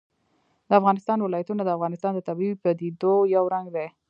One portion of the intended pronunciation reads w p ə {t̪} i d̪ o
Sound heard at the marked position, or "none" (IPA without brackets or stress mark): d̪